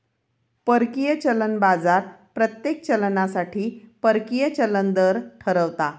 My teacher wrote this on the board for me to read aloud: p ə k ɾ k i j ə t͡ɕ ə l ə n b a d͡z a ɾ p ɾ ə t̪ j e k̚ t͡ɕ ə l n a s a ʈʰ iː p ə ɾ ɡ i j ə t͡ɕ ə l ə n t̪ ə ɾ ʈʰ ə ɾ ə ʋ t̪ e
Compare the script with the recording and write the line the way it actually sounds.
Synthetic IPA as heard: p ə ɾ k i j ə t͡ɕ ə l ə n b a d͡z a ɾ p ɾ ə t̪ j e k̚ t͡ɕ ə l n a s a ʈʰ iː p ə ɾ k i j ə t͡ɕ ə l ə n d̪ ə ɾ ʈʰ ə ɾ ə ʋ t̪ a